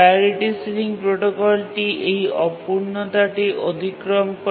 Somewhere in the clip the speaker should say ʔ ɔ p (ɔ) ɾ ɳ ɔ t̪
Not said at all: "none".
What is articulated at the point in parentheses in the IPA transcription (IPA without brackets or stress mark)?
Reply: u